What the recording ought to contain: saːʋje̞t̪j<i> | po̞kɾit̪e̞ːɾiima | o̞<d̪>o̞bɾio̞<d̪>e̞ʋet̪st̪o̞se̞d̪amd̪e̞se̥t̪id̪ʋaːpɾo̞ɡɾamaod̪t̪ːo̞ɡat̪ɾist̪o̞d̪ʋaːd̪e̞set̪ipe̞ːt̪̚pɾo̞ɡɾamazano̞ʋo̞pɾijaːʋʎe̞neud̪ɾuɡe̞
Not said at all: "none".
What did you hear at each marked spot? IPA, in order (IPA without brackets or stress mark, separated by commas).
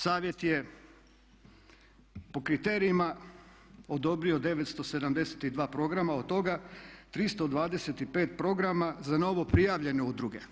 e, d̪, d̪